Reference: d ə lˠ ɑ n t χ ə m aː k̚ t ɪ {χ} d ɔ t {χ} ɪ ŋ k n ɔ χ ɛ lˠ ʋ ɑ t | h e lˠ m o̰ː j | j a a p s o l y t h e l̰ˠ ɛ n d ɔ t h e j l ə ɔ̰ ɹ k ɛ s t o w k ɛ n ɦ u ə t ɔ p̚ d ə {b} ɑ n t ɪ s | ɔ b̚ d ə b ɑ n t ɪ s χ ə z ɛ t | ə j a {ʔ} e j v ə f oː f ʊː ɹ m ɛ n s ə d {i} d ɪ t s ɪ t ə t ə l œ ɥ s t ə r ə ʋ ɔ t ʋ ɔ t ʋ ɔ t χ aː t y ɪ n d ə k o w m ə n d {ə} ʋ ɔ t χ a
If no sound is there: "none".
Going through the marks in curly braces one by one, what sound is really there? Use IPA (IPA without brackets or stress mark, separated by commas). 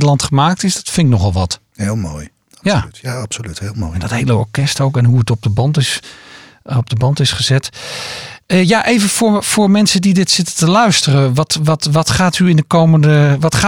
s, f, b, ʔ, i, ə